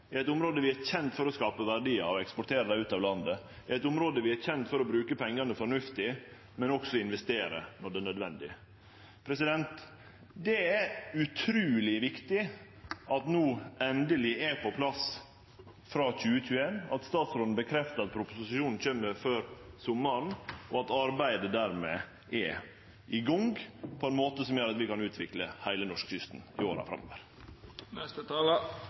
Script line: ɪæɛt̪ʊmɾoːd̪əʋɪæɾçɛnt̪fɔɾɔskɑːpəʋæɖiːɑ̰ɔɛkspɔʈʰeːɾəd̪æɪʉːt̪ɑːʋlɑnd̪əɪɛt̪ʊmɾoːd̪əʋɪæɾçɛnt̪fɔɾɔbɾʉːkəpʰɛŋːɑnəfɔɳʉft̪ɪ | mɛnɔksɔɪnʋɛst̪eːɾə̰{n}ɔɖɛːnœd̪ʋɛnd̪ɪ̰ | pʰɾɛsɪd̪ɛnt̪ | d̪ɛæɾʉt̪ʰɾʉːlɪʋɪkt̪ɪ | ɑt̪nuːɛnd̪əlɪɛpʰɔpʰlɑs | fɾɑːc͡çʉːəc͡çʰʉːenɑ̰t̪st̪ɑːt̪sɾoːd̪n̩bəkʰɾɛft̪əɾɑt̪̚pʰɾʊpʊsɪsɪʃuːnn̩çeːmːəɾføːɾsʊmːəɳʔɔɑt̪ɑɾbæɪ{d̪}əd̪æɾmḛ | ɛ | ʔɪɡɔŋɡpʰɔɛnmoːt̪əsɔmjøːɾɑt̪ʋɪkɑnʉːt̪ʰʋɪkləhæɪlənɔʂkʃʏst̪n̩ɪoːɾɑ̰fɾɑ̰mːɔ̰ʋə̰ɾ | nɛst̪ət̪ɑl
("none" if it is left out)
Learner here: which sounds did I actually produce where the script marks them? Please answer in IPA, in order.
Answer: n, d̪

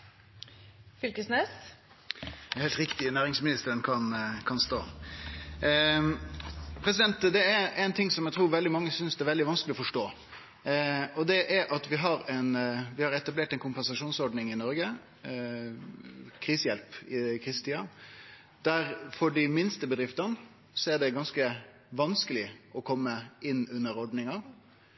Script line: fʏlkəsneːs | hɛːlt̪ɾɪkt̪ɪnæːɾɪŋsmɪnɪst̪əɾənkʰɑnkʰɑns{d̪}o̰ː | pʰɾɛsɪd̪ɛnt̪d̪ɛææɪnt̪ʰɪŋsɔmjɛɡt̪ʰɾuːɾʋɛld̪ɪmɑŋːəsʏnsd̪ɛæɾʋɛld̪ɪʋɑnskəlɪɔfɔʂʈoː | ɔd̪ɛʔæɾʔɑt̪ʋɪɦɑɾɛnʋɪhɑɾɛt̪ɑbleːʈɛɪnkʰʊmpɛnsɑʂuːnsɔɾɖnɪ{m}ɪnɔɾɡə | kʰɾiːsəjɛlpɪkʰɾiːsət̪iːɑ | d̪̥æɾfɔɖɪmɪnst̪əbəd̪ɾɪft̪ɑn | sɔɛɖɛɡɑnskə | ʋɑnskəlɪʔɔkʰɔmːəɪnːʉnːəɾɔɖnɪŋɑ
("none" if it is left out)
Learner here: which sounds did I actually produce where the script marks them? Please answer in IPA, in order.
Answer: t̪, ŋ

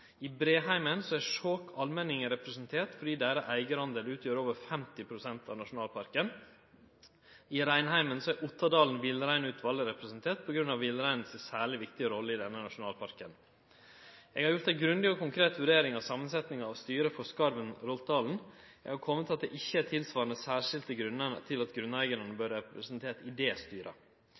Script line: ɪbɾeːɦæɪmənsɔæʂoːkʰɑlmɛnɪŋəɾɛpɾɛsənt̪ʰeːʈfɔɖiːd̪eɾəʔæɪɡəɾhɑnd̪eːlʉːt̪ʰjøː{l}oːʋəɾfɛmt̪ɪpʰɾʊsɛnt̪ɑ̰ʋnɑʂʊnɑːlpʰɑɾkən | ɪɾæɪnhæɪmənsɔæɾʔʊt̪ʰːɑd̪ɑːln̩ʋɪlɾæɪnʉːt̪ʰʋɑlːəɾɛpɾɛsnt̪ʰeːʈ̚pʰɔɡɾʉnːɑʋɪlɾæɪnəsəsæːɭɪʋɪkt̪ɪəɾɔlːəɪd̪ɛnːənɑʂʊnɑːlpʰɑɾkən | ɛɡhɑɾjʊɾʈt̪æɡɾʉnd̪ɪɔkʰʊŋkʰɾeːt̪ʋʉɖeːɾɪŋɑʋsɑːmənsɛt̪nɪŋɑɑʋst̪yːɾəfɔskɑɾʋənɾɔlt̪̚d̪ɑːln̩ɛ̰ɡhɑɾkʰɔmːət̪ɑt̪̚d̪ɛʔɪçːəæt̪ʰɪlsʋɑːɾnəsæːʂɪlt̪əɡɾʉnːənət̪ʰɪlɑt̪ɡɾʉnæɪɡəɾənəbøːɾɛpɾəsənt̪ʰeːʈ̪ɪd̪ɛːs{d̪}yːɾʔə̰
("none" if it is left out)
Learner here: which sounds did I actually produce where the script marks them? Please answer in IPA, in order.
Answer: ɾ, t̪

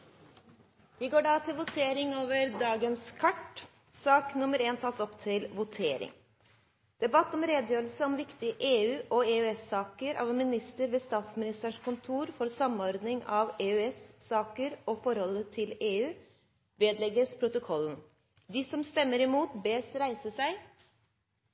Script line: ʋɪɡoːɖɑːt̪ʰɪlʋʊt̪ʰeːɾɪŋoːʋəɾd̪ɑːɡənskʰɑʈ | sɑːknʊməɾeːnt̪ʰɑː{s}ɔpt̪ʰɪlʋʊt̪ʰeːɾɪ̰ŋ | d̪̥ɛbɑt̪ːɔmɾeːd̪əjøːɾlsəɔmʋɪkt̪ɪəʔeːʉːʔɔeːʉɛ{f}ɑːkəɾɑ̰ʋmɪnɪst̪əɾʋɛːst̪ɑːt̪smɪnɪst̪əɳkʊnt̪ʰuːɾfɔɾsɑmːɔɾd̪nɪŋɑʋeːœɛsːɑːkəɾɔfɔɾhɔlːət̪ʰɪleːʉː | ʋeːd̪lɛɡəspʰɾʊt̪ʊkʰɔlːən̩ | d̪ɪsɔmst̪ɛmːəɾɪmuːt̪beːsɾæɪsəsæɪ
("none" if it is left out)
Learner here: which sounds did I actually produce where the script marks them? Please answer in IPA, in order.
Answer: s, s

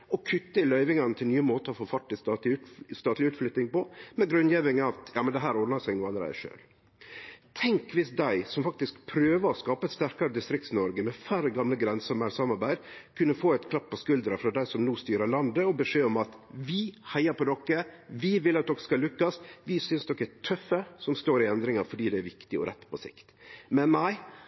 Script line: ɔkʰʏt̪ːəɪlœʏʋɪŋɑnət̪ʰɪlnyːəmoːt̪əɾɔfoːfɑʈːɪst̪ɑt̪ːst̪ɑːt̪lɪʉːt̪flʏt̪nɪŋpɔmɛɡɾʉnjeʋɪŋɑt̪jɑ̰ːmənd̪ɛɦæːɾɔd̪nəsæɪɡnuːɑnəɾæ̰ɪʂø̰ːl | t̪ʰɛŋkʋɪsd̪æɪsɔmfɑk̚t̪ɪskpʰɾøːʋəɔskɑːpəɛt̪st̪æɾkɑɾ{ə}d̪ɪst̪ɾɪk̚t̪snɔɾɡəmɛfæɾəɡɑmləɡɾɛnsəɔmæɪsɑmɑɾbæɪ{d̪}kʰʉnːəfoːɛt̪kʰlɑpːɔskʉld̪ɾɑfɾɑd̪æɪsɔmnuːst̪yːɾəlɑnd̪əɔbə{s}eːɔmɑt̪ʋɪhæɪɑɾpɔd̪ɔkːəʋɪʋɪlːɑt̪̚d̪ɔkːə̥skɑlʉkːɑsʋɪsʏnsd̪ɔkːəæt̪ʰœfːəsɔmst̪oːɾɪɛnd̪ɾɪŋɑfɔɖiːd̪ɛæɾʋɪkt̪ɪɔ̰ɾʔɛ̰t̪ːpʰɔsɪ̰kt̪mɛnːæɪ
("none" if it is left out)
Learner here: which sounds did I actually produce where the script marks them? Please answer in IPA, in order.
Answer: ə, d̪, ʂ

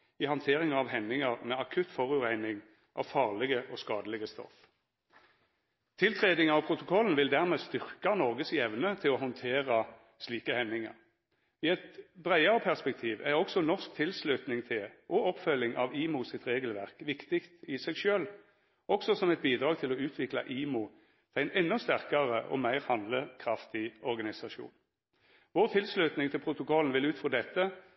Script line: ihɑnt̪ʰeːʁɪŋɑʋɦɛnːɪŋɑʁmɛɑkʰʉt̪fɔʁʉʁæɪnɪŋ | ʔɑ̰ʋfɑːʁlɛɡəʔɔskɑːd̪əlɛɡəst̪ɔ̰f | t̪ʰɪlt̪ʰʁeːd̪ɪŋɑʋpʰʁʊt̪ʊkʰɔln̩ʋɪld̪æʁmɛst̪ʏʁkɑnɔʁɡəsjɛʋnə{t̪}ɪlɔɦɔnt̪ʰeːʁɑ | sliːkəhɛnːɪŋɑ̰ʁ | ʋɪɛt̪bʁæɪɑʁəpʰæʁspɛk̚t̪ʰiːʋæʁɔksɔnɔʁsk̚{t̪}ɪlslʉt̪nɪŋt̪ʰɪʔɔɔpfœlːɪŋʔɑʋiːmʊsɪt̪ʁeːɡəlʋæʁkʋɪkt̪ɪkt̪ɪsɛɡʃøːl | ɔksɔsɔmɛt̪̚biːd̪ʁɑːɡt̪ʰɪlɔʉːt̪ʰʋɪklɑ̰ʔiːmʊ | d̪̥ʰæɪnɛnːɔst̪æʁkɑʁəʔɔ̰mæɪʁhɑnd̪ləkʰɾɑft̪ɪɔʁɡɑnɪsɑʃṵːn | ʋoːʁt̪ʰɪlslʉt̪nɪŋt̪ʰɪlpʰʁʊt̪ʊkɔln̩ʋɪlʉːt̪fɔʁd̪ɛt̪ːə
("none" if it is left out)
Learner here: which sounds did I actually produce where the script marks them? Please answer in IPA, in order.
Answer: t̪ʰ, t̪ʰ

